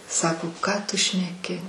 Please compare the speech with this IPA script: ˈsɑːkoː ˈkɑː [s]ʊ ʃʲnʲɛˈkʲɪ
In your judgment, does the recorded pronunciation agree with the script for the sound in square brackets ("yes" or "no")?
no